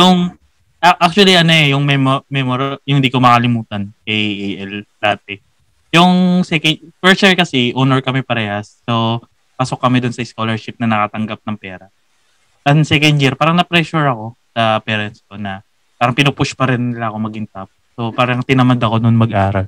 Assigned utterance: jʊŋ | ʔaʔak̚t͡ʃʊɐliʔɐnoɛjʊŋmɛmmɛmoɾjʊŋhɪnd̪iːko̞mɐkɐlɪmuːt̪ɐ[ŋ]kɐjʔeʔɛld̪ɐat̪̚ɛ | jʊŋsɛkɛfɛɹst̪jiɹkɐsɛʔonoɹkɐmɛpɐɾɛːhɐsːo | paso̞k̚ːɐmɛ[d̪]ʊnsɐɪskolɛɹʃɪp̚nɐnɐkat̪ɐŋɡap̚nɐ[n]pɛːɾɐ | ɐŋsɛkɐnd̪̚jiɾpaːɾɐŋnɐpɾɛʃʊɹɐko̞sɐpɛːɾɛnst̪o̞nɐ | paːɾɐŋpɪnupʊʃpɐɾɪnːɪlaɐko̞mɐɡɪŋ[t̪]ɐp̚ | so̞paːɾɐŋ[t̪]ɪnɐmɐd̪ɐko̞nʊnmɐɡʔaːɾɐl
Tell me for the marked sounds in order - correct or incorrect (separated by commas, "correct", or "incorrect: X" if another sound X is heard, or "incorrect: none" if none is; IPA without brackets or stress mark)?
incorrect: n, correct, incorrect: ŋ, correct, correct